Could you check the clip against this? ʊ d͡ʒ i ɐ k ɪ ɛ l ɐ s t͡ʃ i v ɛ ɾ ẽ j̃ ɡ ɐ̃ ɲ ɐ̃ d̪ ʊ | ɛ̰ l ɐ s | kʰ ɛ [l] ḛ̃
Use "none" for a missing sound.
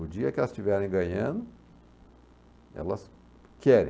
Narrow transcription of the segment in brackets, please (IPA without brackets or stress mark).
ɾ